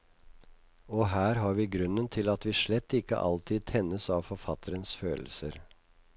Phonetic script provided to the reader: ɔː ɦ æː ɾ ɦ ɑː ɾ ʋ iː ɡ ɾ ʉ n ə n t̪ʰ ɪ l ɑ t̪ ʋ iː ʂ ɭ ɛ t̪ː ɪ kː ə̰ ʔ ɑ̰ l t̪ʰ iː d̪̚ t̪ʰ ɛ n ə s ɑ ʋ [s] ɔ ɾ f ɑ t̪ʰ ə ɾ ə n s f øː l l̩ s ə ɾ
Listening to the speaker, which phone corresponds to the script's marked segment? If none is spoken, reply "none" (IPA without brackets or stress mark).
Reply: f